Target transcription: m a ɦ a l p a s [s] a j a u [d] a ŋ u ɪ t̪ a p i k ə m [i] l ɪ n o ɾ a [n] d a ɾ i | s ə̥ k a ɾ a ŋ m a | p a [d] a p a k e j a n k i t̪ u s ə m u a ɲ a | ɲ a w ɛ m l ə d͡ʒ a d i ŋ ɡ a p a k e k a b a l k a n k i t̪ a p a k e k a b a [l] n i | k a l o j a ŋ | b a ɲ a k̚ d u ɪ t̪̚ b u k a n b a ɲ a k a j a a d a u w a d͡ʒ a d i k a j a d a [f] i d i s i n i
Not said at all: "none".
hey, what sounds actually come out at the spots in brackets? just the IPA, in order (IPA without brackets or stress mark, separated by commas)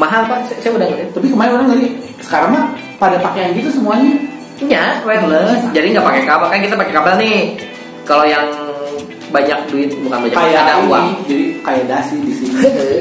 s, d, a, ŋ, d, l, s